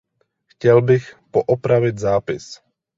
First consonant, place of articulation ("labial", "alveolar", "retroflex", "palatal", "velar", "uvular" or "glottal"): velar